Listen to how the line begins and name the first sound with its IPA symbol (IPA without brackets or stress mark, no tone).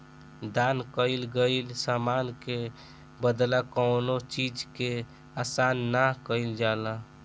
d̪